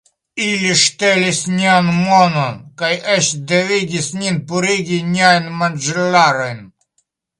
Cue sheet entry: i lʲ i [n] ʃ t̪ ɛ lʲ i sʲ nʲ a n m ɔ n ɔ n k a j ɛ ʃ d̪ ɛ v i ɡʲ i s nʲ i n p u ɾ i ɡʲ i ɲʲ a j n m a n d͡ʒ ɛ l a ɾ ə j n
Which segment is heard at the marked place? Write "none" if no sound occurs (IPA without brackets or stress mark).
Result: none